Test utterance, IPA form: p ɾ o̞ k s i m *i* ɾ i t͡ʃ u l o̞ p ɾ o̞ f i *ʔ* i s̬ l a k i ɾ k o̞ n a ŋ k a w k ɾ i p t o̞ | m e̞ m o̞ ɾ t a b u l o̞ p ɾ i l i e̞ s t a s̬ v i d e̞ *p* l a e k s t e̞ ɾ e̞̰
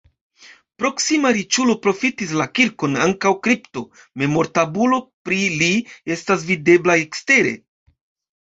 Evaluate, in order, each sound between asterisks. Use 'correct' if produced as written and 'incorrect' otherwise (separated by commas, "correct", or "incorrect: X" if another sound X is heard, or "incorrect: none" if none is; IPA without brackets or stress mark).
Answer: incorrect: a, incorrect: t, incorrect: b